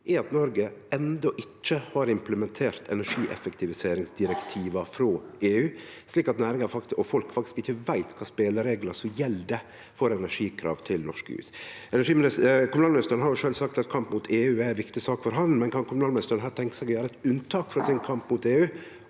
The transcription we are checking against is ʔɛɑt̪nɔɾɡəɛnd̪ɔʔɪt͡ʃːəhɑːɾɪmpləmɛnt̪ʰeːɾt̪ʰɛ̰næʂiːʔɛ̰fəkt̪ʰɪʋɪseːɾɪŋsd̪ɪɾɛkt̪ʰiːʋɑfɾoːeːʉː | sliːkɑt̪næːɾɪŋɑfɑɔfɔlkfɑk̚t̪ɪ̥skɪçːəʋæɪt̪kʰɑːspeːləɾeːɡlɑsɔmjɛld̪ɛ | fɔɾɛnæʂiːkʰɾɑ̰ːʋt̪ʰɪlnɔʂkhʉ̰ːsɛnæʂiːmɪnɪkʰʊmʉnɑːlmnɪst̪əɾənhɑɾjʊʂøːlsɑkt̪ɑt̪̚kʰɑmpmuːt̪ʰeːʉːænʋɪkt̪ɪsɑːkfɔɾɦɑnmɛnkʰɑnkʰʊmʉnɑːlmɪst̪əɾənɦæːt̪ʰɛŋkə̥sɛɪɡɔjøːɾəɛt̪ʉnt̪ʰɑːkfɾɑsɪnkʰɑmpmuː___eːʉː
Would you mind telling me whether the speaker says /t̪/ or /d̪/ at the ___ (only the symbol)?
t̪